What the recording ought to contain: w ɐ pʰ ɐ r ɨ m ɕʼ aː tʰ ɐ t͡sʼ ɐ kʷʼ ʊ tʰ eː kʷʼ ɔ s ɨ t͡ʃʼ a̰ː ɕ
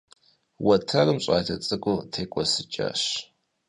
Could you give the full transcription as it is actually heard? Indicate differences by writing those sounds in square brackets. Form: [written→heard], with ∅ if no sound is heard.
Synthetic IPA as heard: w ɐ [pʰ→tʰ] ɐ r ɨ m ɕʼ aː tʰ ɐ t͡sʼ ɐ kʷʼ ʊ tʰ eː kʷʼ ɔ s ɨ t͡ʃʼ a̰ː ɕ